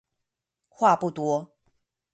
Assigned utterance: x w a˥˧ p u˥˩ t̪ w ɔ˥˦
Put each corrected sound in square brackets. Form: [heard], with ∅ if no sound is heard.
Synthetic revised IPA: x w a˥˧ p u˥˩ t̪ w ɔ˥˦